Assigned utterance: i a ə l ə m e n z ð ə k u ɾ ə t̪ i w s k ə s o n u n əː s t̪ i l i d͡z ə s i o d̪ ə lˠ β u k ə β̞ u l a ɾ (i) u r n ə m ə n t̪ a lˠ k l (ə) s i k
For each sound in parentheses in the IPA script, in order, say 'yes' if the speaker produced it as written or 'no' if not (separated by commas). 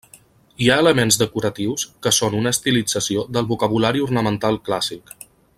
yes, no